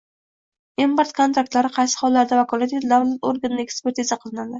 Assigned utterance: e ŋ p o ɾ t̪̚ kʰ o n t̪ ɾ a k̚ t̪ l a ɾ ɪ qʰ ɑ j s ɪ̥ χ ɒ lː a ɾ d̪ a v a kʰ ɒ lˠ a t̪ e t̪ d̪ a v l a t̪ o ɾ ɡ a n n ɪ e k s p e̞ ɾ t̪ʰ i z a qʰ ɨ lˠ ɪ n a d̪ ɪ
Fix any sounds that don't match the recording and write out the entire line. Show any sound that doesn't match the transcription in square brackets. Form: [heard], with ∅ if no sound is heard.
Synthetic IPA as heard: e [m] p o ɾ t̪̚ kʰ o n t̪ ɾ a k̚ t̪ l a ɾ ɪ qʰ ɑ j s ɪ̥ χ ɒ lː a ɾ d̪ a v a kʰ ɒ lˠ a t̪ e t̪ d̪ a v l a t̪ o ɾ ɡ a n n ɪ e k s p e̞ ɾ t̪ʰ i z a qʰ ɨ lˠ ɪ n a d̪ ɪ